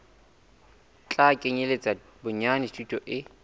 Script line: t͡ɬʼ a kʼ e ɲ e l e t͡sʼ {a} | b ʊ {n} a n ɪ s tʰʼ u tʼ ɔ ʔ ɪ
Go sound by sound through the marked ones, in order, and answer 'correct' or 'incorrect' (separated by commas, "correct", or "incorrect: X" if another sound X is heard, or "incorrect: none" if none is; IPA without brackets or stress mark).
correct, incorrect: ɲ